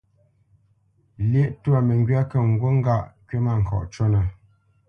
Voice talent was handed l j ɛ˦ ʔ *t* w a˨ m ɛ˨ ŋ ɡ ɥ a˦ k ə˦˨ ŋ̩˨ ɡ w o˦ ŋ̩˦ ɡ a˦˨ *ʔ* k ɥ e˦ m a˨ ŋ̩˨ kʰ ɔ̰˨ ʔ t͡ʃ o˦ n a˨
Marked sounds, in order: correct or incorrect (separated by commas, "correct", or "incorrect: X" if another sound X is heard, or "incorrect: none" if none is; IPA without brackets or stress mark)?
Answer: correct, correct